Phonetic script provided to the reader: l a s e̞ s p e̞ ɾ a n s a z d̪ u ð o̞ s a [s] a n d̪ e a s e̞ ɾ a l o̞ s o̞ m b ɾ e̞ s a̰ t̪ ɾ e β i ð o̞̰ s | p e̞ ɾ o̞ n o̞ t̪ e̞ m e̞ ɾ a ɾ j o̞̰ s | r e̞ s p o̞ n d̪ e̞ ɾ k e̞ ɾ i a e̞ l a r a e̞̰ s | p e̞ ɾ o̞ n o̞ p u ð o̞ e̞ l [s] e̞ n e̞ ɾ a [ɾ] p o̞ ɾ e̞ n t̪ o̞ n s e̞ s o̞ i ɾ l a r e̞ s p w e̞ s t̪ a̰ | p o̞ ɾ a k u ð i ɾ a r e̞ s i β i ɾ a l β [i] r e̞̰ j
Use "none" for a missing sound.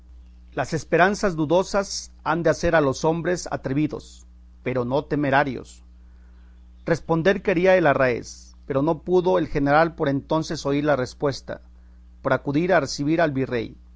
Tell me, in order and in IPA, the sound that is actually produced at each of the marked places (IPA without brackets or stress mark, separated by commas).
s, x, l, i